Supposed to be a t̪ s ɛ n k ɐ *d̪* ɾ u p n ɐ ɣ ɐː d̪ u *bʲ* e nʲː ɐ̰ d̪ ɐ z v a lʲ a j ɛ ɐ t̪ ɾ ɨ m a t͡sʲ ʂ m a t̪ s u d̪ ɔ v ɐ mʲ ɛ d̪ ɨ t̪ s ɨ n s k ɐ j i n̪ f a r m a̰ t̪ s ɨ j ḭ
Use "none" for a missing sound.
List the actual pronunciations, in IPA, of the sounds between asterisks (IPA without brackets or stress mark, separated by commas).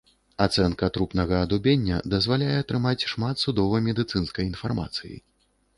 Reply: t̪, bʲ